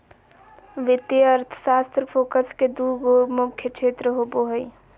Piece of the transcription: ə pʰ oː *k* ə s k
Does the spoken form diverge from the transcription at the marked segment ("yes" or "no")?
no